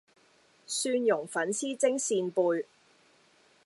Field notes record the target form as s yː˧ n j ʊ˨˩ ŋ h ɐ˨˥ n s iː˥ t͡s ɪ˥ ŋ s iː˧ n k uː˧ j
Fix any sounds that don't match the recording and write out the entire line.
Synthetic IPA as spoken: s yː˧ n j ʊ˨˩ ŋ f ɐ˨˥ n s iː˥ t͡s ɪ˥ ŋ s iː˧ n p uː˧ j